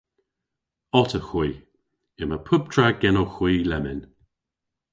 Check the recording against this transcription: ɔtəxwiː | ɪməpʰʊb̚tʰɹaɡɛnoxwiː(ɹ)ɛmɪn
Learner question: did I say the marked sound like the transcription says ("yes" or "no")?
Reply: no